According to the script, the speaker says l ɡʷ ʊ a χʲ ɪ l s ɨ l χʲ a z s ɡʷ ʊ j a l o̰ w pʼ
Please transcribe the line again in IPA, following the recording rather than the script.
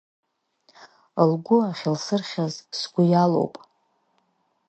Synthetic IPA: l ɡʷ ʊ a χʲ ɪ l s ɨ r χʲ a z s ɡʷ ʊ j a l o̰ w pʼ